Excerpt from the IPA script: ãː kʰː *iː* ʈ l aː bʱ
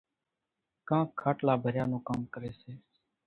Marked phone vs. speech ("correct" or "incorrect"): incorrect